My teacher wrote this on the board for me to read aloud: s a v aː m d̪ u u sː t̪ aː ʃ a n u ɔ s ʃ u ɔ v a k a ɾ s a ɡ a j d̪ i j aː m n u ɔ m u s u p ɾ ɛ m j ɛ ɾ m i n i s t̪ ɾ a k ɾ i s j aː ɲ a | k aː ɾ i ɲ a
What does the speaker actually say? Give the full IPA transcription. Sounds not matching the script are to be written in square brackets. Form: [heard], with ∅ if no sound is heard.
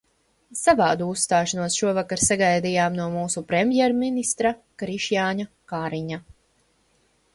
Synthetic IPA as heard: s a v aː [∅] d̪ u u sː t̪ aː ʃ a n u ɔ s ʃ u ɔ v a k a ɾ s a ɡ a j d̪ i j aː m n u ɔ m [uː] s u p ɾ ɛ m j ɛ ɾ m i n i s t̪ ɾ a k ɾ i [ʃ] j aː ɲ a | k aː ɾ i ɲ a

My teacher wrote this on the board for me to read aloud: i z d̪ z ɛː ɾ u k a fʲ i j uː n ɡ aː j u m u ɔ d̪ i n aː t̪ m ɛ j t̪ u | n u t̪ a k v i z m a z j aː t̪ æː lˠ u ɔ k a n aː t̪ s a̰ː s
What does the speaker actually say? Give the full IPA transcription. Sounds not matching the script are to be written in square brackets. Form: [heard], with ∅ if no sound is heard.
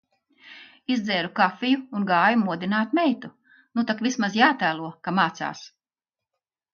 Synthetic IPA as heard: i z d̪ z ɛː ɾ u k a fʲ i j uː n ɡ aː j u m u ɔ d̪ i n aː t̪ m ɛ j t̪ u | n u t̪ a k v i [s] m a z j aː t̪ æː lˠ u ɔ k a [m] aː t̪ s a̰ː s

